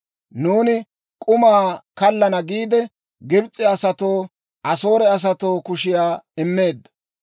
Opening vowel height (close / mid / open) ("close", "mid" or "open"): close